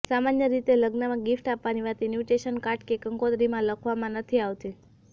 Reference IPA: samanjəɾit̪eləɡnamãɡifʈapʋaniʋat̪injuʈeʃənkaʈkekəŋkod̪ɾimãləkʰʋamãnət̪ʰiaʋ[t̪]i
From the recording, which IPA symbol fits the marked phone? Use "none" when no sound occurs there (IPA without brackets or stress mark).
t̪